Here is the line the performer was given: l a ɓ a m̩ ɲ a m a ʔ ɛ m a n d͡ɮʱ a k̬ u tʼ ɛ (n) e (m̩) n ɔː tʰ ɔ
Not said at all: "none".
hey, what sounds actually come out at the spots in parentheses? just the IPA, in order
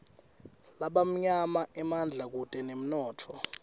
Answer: n, m̩

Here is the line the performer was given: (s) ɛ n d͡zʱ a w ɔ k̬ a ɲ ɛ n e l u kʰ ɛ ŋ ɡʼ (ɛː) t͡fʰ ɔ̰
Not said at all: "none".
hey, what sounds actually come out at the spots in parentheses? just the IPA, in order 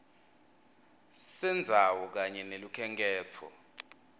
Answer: s, ɛː

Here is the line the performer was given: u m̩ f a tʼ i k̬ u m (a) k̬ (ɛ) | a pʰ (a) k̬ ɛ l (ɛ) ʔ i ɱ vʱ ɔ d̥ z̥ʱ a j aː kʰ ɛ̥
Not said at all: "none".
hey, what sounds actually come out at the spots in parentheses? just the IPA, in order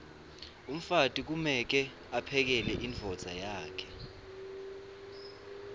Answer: ɛ, ɛ, ɛ, ɛ

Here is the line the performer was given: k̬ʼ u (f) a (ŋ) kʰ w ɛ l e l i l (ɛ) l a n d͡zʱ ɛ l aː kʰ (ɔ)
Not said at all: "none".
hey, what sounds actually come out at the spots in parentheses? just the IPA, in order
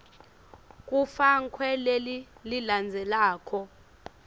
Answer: f, ŋ, i, ɔ

